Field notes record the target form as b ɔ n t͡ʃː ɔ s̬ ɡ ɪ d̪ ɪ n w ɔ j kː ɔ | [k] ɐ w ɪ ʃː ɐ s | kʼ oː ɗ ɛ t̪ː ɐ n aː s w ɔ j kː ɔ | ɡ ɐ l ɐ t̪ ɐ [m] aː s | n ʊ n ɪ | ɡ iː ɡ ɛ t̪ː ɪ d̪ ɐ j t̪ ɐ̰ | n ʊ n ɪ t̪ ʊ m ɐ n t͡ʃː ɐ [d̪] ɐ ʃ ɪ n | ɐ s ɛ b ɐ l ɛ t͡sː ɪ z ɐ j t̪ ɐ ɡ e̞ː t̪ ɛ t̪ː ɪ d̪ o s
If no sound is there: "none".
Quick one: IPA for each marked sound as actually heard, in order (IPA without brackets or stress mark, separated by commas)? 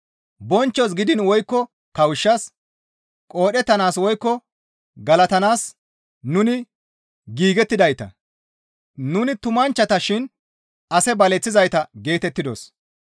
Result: k, n, t̪